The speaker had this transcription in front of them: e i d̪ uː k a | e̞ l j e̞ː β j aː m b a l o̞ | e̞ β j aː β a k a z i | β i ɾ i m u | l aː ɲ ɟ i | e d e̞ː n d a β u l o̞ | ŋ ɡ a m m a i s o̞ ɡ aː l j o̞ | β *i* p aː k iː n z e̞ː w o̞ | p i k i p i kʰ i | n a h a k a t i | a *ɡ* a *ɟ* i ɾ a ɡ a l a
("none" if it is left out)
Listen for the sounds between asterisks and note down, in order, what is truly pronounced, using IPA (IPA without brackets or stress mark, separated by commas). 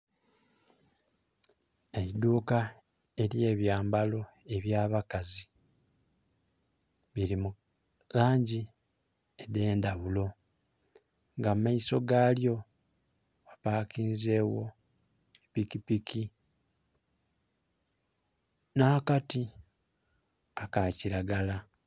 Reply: a, k, c